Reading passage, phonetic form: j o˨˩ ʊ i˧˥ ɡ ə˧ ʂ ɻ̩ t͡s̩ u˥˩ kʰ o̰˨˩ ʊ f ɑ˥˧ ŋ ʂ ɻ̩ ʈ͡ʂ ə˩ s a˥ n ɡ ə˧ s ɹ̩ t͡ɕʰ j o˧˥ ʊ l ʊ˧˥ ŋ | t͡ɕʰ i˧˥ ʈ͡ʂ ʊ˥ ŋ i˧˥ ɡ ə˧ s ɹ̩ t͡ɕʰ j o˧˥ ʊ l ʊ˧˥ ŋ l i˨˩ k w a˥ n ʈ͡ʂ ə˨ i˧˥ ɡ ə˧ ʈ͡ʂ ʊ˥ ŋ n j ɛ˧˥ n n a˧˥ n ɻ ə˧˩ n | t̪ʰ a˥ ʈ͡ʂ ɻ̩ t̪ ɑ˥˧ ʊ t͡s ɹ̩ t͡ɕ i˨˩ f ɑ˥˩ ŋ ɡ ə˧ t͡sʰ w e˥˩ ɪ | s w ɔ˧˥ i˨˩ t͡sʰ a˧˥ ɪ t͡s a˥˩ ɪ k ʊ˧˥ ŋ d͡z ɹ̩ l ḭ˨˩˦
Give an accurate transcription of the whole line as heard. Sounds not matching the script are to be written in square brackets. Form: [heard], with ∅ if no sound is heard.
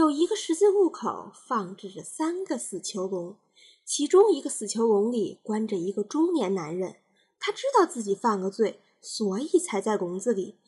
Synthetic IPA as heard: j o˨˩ ʊ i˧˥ ɡ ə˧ ʂ ɻ̩ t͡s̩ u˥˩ kʰ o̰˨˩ ʊ f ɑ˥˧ ŋ [ʈ͡ʂ] ɻ̩ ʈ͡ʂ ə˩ s a˥ n ɡ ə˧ s ɹ̩ t͡ɕʰ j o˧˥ ʊ l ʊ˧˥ ŋ | t͡ɕʰ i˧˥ ʈ͡ʂ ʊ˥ ŋ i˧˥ ɡ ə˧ s ɹ̩ t͡ɕʰ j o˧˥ ʊ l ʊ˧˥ ŋ l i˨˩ k w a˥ n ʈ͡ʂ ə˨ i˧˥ ɡ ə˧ ʈ͡ʂ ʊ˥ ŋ n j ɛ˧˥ n n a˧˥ n ɻ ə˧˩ n | t̪ʰ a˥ ʈ͡ʂ ɻ̩ t̪ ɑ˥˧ ʊ t͡s ɹ̩ t͡ɕ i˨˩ f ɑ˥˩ ŋ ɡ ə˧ [t͡s] w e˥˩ ɪ | s w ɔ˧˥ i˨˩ t͡sʰ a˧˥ ɪ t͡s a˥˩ ɪ k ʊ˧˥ ŋ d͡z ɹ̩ l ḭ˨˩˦